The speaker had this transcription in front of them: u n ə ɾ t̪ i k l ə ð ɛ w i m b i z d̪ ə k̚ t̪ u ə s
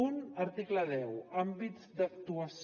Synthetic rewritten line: u n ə ɾ t̪ i k l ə ð ɛ w a m b i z d̪ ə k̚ t̪ u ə s